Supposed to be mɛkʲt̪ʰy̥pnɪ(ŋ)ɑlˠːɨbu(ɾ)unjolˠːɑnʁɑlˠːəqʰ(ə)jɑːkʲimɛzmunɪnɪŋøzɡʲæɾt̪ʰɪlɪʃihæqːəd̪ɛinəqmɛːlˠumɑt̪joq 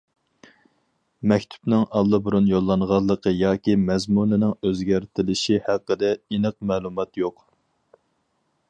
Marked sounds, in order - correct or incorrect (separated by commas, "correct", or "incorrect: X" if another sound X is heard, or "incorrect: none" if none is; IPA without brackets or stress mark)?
correct, correct, correct